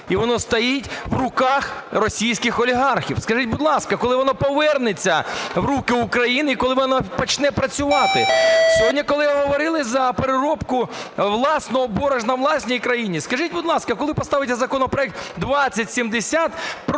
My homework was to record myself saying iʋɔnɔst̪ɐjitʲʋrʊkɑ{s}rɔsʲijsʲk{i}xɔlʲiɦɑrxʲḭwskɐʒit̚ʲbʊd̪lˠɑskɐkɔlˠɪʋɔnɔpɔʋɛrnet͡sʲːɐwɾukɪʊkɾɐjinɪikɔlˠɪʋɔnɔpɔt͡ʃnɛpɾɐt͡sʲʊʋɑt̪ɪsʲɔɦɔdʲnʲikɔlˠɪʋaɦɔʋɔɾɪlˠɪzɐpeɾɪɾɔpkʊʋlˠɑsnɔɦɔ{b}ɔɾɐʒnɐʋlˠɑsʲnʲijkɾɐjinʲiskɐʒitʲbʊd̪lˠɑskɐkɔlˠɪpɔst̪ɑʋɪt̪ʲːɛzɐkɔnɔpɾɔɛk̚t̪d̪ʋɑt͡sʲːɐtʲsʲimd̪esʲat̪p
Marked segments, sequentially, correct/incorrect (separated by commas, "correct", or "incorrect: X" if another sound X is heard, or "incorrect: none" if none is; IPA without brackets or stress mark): incorrect: x, incorrect: ɪ, correct